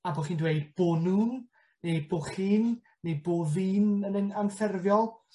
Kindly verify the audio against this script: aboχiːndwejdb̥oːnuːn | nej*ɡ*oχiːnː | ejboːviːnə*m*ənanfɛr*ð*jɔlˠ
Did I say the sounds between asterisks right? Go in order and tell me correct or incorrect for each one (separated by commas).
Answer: incorrect, incorrect, incorrect